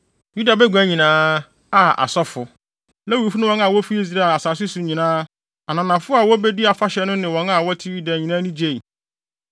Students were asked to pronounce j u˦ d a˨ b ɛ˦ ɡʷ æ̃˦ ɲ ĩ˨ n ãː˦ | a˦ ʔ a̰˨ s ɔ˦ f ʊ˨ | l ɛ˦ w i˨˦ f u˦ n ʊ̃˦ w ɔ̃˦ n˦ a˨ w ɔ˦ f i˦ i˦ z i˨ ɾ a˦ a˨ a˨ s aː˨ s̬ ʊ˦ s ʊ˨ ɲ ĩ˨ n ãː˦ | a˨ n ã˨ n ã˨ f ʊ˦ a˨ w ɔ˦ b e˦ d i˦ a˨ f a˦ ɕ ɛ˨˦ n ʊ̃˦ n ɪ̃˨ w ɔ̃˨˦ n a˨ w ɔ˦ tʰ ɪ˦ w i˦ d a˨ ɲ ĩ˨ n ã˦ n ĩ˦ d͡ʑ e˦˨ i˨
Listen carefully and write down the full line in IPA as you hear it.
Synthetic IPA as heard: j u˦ d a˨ b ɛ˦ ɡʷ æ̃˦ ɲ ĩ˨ n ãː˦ | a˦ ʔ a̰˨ s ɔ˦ f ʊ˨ | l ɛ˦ w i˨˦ f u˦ n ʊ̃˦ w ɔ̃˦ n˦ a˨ w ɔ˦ f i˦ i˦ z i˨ ɾ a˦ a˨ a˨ s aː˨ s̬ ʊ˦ s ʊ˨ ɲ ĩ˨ n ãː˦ | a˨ n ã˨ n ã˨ f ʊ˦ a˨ w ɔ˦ b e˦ d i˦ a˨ f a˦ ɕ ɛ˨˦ n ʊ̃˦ n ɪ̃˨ w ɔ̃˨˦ n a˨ w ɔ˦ tʰ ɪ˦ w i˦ d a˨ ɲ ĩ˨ n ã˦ n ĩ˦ d͡ʑ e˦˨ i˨